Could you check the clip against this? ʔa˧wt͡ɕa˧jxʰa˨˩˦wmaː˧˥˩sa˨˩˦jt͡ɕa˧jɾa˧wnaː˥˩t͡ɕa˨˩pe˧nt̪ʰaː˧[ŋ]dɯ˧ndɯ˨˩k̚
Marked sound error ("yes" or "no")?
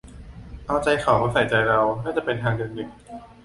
no